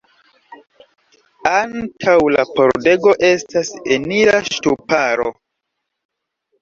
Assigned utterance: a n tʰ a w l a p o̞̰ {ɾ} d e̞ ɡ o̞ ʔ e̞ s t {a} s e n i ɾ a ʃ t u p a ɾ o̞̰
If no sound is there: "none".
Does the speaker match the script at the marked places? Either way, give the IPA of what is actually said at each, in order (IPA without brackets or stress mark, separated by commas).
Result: ɾ, a